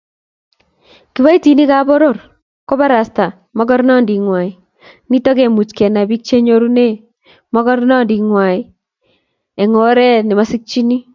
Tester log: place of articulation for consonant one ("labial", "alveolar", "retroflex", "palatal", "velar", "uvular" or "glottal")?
velar